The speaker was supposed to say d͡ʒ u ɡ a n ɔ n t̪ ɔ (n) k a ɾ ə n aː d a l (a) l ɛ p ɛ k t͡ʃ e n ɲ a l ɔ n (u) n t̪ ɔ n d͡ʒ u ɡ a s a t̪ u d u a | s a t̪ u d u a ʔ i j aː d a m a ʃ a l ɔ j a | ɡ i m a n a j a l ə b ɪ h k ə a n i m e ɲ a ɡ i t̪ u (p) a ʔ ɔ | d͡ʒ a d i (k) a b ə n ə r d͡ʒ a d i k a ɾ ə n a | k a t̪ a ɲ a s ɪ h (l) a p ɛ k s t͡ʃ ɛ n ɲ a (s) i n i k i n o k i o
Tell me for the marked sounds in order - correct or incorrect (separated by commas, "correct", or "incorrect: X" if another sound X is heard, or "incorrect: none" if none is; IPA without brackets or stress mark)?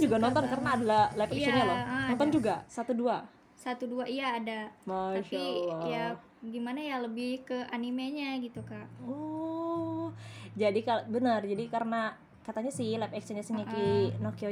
correct, correct, incorrect: ɔ, incorrect: k, correct, correct, correct